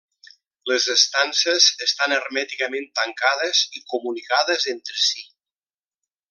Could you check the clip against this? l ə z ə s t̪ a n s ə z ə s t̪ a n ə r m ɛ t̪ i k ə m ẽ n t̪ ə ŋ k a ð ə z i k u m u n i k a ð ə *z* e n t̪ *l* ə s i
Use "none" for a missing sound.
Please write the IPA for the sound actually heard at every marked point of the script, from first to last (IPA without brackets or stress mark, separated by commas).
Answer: z, ɾ